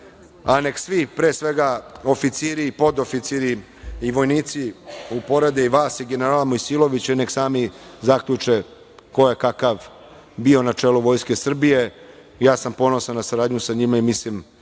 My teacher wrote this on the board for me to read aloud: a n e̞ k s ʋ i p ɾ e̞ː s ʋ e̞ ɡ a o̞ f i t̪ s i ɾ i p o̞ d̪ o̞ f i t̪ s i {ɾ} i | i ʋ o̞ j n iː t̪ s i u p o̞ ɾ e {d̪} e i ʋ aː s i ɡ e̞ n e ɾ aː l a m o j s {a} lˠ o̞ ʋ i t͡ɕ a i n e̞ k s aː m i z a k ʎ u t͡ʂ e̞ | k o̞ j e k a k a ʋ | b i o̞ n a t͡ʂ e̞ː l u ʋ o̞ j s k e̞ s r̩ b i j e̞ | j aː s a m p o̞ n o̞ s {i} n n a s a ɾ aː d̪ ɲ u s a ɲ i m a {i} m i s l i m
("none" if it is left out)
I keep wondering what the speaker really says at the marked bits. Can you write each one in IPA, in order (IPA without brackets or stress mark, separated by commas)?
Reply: ɾ, d̪, i, a, i